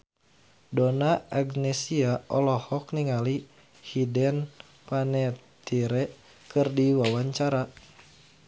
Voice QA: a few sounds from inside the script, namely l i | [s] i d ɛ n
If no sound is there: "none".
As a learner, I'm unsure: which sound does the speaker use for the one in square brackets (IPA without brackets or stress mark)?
h